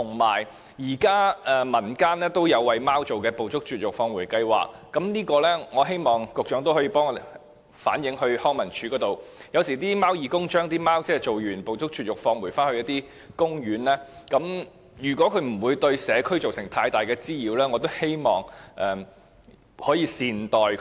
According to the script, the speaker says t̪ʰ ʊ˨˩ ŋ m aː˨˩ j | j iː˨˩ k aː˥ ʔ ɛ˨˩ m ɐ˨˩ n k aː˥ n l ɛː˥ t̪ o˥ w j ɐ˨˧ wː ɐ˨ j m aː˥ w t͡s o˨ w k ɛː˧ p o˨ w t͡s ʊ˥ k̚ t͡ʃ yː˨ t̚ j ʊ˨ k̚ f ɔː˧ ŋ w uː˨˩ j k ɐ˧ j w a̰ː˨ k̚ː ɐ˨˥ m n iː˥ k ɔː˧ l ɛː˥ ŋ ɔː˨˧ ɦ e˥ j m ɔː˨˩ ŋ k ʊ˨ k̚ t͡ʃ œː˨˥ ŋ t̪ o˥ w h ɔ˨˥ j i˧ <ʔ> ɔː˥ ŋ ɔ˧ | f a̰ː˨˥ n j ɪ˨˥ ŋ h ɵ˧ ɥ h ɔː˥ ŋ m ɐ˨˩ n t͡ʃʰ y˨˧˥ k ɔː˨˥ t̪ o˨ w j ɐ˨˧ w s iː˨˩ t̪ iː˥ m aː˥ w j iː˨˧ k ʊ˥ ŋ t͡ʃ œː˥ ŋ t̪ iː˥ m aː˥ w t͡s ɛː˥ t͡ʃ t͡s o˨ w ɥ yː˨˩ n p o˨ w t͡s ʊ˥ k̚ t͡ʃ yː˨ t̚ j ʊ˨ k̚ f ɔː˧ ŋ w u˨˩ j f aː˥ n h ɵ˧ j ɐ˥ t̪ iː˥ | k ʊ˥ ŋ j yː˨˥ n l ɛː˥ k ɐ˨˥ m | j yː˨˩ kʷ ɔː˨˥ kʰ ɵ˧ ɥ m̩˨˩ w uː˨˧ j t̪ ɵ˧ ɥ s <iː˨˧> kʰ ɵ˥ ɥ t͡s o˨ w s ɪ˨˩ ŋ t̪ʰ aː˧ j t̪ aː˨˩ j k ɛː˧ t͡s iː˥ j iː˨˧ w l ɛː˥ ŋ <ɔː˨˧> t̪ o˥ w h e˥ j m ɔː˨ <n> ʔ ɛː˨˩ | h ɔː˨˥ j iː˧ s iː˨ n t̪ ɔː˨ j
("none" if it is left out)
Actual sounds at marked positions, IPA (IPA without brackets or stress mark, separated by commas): p, ɛː˨˧, ɔ˨˧, ŋ